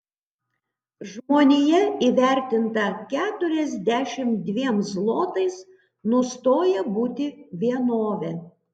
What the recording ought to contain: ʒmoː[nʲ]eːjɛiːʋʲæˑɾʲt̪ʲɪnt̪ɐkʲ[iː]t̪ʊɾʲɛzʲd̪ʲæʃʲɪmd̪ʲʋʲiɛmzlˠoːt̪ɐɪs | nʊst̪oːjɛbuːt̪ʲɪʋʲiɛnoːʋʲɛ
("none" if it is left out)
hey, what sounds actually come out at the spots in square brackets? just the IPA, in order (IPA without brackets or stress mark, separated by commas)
nʲ, æː